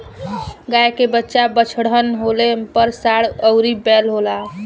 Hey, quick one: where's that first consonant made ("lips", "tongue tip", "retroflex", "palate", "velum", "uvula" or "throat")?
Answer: velum